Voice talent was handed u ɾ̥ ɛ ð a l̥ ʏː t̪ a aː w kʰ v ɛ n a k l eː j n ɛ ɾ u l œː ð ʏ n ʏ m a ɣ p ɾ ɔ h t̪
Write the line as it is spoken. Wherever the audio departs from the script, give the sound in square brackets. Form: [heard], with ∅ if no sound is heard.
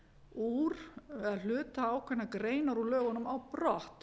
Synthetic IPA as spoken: u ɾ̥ ɛ ð a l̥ ʏː t̪ a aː w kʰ v ɛ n a k [ɾ] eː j n [a] ɾ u l œː [ɣ] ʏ n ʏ m a [w] p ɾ ɔ h t̪